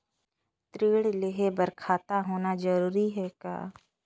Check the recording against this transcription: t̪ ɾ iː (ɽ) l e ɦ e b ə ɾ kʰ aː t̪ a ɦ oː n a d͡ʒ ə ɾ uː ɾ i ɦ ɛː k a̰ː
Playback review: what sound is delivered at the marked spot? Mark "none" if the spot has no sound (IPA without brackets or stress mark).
ɽ